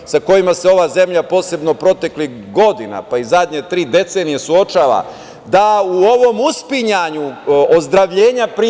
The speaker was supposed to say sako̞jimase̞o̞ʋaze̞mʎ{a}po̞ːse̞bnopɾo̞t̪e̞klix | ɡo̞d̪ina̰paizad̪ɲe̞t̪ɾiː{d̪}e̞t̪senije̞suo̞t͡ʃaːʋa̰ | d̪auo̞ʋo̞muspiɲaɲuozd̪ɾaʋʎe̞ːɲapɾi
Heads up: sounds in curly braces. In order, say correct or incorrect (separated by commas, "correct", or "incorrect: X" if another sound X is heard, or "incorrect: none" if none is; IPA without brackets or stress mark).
correct, correct